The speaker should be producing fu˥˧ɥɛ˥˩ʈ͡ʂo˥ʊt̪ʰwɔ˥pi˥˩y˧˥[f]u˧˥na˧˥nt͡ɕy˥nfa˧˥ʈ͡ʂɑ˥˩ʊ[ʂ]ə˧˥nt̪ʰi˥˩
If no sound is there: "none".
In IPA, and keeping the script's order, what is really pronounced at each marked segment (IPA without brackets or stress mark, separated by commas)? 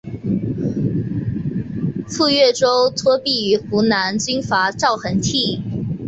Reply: x, x